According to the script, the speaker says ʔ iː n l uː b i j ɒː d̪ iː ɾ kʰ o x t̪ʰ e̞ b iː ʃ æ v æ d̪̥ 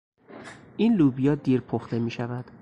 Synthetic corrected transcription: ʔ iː n l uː b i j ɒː d̪ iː ɾ pʰ o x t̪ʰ e̞ m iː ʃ æ v æ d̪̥